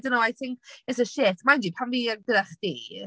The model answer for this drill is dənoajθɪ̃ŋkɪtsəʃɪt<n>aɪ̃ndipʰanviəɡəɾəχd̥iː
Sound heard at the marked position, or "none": m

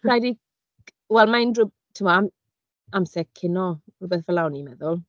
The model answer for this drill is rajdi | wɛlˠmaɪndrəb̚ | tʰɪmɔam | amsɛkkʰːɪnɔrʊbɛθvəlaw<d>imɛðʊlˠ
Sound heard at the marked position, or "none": n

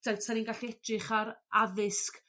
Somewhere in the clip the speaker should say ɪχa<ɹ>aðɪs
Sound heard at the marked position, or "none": ɾ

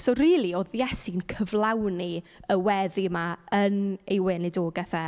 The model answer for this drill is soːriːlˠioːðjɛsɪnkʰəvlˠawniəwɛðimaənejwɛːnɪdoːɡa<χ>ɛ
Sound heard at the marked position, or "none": θ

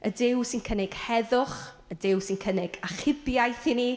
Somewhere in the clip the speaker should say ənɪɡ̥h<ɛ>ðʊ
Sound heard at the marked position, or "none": ɛ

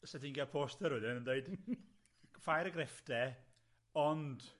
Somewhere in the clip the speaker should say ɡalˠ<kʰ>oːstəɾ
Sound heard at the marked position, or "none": pʰ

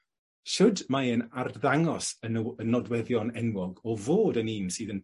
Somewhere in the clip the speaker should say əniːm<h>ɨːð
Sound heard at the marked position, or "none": s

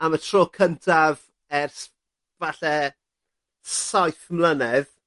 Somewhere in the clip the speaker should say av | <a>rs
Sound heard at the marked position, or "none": ɛ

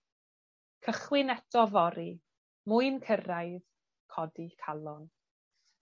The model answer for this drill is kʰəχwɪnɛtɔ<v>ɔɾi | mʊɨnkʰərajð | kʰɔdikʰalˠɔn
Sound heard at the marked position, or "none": v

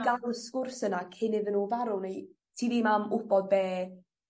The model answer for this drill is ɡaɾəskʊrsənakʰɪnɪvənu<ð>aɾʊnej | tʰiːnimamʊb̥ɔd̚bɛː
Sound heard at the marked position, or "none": v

